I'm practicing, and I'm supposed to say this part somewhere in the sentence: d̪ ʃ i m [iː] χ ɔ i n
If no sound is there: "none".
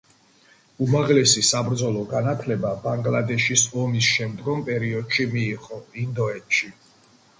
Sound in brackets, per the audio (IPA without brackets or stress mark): iː